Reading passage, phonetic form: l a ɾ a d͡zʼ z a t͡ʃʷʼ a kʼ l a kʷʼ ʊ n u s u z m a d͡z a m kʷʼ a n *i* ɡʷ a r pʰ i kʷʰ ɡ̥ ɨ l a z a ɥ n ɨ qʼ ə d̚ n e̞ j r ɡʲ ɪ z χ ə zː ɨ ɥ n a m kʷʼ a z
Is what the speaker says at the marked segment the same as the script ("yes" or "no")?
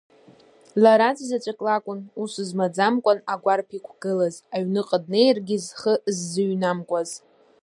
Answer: no